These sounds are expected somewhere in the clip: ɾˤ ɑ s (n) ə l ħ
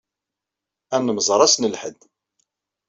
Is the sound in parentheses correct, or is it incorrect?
correct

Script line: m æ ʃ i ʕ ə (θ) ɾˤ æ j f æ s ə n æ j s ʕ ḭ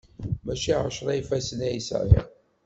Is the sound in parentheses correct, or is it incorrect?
incorrect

